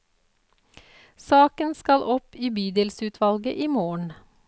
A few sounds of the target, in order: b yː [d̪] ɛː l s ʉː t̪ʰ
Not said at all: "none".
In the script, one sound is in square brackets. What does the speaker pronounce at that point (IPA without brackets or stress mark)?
d̪